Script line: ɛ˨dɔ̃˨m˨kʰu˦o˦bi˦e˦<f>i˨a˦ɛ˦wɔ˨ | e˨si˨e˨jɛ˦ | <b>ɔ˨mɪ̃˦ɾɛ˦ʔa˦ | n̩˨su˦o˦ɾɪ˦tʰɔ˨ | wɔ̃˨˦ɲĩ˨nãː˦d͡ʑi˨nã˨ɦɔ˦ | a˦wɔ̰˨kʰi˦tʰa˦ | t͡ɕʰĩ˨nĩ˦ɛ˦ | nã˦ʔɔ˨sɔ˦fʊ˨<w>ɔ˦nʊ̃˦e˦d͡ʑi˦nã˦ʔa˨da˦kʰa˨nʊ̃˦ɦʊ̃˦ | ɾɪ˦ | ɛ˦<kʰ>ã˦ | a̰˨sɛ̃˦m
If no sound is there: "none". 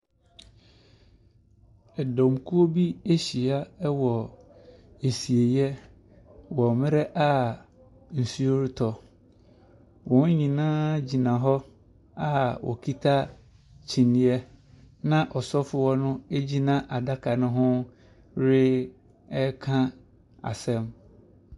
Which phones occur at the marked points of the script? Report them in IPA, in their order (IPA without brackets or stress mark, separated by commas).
ɕ, w, w, kʰ